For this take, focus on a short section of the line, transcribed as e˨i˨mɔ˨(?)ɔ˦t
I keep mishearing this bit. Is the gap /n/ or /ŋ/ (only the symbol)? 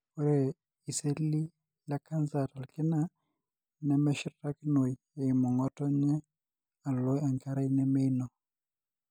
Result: ŋ